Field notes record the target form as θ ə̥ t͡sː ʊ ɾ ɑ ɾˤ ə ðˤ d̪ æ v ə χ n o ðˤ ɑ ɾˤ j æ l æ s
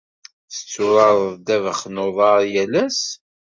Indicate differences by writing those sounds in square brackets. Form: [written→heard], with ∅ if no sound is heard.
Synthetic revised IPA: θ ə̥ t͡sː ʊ ɾ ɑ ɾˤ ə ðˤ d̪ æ v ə χ n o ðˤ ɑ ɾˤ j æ l æ s